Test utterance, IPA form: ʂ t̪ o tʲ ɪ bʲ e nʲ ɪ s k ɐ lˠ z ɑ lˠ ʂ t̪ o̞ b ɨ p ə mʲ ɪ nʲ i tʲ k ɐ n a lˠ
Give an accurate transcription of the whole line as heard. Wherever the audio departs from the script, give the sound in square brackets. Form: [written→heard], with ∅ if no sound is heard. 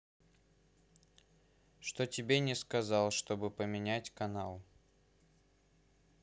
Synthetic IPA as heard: ʂ t̪ o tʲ ɪ bʲ e nʲ ɪ s k ɐ [lˠ→∅] z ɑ lˠ ʂ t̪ o̞ b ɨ p ə mʲ ɪ nʲ [i→æ] tʲ k ɐ n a lˠ